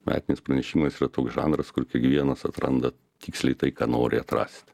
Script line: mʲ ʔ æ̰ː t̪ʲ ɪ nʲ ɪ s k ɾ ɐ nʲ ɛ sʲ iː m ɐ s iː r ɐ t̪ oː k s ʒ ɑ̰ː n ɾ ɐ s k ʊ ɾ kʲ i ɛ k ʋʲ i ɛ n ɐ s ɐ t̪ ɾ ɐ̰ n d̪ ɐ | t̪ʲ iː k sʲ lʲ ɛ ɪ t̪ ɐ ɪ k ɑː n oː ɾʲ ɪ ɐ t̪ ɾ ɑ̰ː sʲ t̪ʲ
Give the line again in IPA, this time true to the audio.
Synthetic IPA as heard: mʲ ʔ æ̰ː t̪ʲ ɪ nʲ ɪ s p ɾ ɐ nʲ ɛ ʃʲ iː m ɐ s iː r ɐ t̪ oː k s ʒ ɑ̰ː n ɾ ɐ s k ʊ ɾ kʲ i ɛ k ʋʲ i ɛ n ɐ s ɐ t̪ ɾ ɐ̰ n d̪ ɐ | t̪ʲ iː k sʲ lʲ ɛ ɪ t̪ ɐ ɪ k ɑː n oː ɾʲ ɪ ɐ t̪ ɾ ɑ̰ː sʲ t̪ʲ